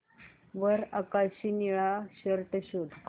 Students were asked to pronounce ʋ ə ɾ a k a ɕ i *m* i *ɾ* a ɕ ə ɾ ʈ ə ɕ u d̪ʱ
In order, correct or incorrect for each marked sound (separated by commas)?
incorrect, incorrect